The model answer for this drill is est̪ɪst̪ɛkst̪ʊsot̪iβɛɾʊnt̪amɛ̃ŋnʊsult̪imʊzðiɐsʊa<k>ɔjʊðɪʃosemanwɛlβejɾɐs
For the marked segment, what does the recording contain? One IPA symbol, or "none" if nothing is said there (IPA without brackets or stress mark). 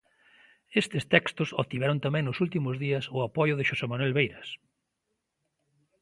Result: p